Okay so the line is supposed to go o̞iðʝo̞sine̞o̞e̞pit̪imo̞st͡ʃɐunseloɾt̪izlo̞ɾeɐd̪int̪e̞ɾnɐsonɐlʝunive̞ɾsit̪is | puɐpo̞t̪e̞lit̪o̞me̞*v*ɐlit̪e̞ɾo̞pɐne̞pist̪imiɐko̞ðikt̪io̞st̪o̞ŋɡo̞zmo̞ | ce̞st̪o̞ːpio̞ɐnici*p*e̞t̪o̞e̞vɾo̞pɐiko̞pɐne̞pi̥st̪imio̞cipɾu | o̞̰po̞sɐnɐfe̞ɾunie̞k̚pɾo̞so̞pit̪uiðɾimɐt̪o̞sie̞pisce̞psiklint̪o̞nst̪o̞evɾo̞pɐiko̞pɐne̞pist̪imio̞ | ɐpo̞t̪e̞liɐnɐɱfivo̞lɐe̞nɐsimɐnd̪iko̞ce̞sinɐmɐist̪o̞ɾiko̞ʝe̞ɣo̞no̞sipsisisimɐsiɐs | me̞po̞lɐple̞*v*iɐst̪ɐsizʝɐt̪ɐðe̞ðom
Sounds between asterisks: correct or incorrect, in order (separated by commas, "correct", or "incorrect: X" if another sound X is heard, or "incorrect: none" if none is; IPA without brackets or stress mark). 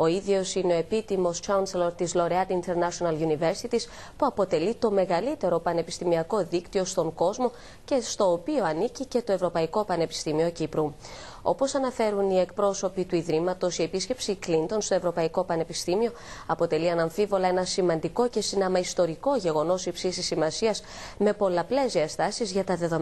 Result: incorrect: ɣ, incorrect: c, incorrect: z